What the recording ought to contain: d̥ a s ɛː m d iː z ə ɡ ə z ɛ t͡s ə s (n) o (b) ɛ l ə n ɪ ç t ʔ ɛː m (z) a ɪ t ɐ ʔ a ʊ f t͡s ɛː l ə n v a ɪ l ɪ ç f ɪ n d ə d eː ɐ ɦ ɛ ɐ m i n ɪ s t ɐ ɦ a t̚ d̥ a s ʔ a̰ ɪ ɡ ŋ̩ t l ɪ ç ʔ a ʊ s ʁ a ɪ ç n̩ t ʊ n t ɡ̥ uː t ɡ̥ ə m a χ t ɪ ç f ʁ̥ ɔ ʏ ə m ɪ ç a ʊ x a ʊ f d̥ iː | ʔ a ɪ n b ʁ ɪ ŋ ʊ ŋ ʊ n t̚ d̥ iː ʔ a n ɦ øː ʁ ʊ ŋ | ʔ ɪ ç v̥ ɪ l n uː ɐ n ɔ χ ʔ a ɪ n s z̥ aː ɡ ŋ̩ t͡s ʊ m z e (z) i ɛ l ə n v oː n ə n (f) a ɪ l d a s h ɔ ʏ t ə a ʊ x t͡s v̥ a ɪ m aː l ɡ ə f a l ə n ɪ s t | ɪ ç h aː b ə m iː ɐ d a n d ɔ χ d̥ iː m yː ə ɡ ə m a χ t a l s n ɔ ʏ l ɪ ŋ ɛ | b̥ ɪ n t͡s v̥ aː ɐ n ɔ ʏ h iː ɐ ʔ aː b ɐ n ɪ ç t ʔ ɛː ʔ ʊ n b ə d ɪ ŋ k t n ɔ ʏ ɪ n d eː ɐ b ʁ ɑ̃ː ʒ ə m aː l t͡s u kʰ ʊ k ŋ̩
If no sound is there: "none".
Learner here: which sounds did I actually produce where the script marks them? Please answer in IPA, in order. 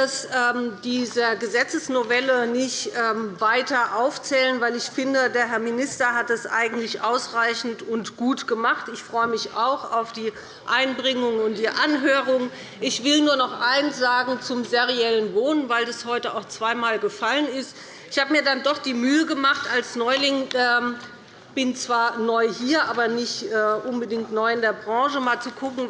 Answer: n, v, v, ʁ, v

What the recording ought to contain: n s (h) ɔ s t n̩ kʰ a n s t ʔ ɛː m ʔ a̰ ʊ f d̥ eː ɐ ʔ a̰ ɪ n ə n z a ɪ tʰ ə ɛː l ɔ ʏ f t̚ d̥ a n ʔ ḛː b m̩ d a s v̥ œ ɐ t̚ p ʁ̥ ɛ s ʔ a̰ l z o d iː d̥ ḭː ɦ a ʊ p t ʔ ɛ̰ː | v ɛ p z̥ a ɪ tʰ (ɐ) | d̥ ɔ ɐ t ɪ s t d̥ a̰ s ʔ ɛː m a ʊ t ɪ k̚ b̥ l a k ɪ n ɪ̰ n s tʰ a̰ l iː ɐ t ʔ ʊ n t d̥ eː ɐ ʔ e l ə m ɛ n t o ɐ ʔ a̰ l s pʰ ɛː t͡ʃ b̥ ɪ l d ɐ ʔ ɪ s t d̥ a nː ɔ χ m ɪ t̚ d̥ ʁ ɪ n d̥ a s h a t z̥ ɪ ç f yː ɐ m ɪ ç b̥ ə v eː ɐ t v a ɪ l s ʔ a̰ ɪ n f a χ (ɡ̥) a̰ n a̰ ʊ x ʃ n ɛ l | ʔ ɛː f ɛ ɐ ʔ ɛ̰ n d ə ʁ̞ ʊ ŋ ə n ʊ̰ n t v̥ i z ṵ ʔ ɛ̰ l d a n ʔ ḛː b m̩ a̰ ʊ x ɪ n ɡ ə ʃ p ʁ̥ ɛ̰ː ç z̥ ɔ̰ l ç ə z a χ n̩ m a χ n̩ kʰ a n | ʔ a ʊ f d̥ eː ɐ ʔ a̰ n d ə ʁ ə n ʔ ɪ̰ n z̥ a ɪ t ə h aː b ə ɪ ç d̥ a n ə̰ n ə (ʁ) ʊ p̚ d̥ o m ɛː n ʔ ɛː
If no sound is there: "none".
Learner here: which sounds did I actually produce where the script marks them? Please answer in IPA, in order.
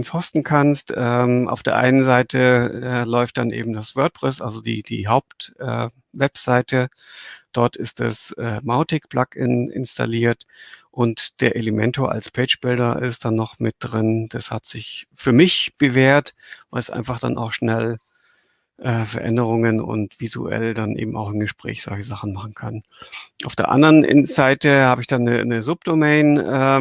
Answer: h, ə, d̥, z

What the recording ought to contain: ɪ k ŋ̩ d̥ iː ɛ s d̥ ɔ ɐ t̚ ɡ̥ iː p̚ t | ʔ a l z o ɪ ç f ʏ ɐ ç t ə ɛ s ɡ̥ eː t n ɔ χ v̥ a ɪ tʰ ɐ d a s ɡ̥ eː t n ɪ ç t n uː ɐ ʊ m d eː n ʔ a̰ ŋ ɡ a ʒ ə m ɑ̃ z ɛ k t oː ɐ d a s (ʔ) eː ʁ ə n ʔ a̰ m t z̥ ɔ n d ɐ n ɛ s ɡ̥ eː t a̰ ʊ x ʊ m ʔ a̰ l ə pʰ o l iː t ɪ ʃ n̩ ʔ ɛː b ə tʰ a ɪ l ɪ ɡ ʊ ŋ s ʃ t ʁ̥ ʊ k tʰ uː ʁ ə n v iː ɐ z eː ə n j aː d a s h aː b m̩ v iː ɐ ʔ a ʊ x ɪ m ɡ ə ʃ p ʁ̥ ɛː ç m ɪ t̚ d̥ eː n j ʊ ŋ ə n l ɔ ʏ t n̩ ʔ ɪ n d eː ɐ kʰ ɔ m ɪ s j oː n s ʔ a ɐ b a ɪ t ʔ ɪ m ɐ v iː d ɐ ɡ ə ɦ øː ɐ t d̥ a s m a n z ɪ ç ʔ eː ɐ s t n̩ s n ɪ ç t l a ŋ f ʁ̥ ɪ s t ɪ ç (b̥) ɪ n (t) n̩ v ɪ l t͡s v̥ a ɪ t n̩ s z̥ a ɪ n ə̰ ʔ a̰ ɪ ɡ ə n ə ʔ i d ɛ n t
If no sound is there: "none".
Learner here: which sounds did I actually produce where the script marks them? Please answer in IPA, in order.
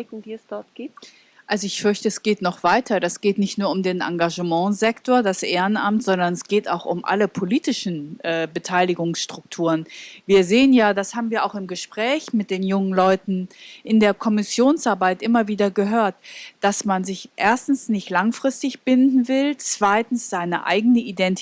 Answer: ʔ, b̥, d

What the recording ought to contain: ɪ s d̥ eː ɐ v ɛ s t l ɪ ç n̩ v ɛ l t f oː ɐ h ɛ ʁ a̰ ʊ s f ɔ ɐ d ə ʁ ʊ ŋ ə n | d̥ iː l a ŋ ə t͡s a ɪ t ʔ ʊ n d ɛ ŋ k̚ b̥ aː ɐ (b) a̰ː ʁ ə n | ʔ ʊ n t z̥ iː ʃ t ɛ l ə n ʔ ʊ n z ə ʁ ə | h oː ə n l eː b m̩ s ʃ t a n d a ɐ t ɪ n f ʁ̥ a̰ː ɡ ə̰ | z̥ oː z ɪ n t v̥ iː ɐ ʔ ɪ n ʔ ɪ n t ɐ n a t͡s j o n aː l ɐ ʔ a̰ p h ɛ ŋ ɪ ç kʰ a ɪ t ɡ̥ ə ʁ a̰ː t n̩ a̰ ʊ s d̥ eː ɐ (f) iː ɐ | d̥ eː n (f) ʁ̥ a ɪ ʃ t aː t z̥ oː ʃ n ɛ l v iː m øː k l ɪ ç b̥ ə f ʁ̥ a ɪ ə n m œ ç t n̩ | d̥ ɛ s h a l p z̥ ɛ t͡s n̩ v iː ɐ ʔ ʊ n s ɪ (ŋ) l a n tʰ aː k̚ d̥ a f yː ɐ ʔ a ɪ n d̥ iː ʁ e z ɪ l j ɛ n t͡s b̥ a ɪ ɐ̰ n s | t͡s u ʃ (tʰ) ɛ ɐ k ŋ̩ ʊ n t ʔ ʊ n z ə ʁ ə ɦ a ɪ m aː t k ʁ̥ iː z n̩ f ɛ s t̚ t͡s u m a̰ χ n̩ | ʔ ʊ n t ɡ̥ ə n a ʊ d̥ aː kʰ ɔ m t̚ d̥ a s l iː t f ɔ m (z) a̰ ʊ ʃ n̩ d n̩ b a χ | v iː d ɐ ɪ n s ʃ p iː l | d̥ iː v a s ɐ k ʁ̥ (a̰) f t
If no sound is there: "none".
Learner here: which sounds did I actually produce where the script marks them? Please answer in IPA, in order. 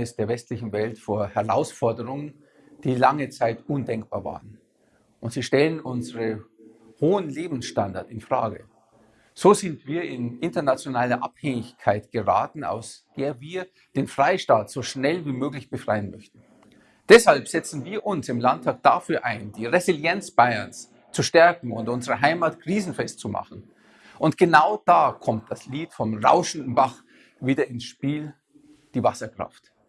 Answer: v, v, f, m, t, ʁ, a̰

